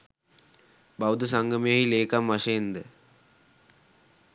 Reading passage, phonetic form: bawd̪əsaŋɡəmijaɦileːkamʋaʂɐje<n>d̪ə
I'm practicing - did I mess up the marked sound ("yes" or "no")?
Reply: no